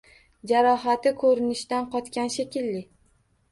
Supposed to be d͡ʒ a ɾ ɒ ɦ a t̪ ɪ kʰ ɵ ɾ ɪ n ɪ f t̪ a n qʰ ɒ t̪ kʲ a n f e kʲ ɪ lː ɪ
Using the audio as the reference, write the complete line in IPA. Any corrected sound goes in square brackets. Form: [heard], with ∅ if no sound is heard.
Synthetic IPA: d͡ʒ a ɾ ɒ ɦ a t̪ ɪ kʰ ɵ ɾ ɪ n ɪ [ʃ] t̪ a n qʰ ɒ t̪ kʲ a n [ʃ] e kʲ ɪ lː ɪ